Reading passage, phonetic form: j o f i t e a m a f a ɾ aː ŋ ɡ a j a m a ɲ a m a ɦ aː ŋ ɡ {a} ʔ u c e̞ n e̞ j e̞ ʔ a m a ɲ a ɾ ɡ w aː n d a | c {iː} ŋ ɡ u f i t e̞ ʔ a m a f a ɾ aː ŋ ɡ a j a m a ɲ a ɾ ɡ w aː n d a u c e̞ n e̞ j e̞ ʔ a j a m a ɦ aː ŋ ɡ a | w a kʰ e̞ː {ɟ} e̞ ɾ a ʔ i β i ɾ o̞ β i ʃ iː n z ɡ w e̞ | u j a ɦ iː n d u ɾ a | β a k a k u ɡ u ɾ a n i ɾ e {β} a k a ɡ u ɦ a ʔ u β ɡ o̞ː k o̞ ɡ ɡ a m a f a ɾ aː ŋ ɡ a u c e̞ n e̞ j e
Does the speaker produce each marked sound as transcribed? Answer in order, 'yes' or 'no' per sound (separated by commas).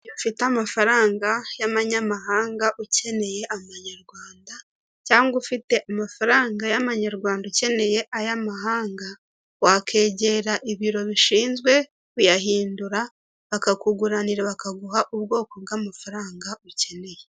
yes, no, yes, yes